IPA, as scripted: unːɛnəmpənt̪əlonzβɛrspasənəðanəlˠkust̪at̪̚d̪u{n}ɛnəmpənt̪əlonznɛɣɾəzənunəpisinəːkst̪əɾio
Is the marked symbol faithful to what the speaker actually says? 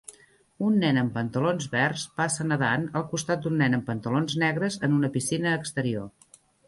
no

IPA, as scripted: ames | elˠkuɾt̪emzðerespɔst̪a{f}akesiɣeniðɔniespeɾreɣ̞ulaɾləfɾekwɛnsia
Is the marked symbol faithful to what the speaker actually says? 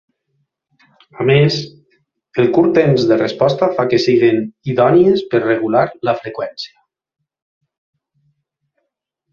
yes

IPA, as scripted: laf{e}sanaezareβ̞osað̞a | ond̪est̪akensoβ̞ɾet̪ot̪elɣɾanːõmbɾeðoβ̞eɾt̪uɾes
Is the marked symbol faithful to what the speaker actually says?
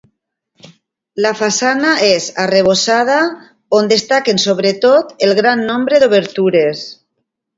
no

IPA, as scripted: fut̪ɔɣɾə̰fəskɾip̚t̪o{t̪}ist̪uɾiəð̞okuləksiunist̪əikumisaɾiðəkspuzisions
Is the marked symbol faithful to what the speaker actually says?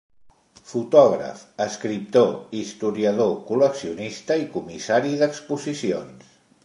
no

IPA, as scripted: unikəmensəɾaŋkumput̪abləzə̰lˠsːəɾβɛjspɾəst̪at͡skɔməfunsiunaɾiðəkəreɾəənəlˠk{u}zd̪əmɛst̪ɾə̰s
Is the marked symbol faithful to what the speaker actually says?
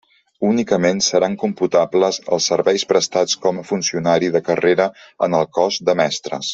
no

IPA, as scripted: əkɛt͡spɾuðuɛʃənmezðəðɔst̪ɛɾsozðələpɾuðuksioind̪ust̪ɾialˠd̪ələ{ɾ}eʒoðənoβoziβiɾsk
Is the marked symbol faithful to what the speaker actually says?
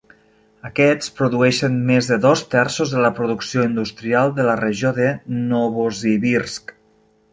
no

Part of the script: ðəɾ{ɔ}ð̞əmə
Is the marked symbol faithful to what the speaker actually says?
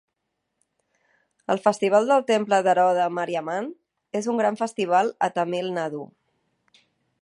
yes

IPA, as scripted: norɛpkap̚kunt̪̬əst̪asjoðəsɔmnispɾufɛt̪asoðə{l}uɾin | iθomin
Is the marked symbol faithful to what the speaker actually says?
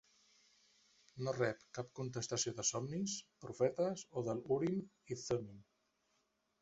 yes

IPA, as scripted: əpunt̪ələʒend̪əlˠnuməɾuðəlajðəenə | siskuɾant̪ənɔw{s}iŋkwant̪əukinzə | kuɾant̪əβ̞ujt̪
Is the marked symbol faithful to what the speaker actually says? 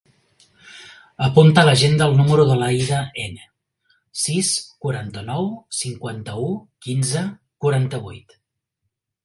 yes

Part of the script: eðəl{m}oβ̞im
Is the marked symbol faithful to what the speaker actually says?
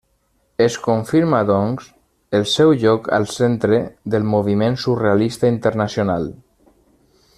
yes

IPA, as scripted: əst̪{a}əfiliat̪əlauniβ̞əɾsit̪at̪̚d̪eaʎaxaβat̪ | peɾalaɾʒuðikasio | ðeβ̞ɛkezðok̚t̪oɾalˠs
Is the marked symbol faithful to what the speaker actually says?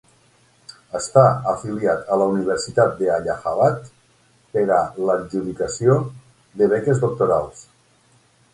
yes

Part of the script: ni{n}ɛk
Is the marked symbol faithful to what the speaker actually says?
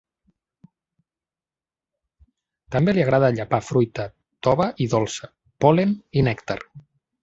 yes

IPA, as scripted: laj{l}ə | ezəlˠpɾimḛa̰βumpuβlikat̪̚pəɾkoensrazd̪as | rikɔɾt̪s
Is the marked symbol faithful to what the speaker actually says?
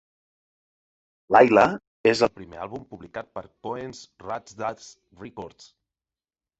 yes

